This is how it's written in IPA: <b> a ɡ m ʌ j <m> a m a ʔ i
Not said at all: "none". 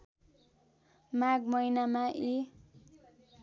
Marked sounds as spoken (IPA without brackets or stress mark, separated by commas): m, n